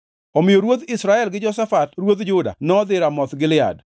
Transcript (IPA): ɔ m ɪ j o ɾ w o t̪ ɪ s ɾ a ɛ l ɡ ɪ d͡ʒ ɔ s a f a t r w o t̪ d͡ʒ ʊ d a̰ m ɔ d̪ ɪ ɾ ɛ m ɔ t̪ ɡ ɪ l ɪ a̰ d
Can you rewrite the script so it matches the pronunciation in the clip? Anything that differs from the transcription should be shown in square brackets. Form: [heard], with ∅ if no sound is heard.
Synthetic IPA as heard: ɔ m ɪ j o ɾ w o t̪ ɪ s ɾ a ɛ l ɡ ɪ d͡ʒ ɔ s a f a t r w o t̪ d͡ʒ ʊ d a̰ [n] ɔ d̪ ɪ ɾ [a] m ɔ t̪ ɡ ɪ l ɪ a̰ d